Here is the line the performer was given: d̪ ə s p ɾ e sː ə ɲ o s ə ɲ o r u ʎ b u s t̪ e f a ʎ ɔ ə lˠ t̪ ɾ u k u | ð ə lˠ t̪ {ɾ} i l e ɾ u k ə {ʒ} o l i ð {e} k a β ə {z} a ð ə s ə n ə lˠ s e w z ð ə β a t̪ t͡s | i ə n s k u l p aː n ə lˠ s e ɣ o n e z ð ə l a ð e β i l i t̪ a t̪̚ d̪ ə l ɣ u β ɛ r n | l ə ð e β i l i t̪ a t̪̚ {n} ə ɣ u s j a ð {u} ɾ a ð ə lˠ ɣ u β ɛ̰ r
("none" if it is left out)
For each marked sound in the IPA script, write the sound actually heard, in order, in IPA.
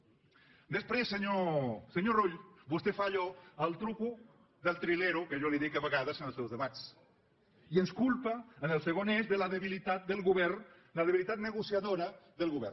ɾ, ʒ, i, ɣ, n, o

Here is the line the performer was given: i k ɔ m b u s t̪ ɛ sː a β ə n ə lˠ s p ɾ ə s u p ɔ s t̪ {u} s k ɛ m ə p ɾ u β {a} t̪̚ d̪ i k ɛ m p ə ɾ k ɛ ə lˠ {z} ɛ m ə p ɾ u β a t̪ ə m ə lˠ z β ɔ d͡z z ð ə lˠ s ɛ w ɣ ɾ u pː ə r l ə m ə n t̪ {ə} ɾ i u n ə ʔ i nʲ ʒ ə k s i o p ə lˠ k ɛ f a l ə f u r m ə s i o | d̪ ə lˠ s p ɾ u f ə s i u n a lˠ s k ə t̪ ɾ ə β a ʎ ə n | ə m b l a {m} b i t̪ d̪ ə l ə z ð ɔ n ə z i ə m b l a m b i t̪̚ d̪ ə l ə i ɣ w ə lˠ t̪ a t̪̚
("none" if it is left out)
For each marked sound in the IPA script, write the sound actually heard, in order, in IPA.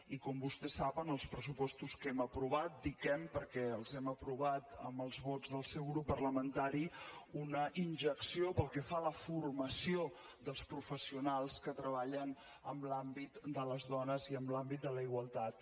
u, a, z, a, m

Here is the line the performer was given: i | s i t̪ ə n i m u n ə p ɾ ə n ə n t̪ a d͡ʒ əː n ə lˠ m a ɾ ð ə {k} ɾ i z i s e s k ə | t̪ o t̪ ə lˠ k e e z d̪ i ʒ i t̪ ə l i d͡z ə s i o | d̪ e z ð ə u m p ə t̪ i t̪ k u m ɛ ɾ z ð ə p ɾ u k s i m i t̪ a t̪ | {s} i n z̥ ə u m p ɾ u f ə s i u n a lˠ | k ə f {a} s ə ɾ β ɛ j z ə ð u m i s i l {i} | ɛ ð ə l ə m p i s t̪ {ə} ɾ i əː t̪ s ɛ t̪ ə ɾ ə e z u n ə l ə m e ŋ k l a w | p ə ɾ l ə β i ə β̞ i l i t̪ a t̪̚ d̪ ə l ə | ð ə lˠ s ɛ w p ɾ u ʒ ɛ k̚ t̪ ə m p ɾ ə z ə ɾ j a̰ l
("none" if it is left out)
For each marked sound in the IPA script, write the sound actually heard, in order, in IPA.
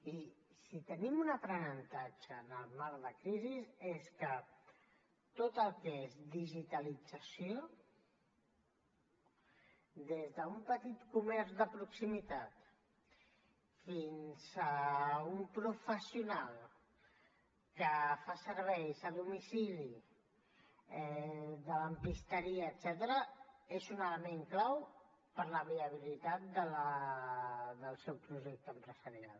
k, f, a, i, ə

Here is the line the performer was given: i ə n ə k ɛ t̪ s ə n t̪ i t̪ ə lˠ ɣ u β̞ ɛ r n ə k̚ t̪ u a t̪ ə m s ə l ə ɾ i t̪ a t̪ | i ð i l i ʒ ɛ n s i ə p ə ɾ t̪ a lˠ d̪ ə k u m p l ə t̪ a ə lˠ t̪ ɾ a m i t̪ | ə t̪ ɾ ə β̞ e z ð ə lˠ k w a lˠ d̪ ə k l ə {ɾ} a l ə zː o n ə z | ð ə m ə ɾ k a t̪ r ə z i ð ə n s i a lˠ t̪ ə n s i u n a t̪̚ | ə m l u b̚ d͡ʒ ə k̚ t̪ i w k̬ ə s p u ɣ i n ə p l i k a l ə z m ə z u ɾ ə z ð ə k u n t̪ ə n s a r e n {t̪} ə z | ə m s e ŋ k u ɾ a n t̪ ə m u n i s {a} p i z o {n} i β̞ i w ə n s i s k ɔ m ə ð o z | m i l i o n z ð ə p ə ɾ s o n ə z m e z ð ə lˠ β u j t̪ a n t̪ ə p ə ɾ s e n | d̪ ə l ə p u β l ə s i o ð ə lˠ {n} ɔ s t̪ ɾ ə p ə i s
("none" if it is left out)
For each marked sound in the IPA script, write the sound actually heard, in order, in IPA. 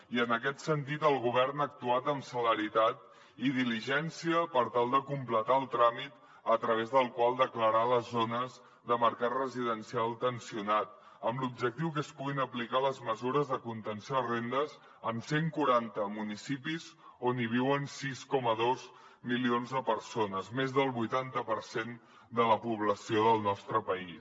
ɾ, d̪, i, n, n

